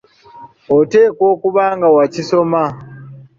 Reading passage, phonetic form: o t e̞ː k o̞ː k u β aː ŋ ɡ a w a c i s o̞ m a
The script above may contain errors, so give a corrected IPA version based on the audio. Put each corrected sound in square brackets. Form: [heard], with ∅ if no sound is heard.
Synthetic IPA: o t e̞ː k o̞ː k u β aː ŋ ɡ a w a c i s o̞ m a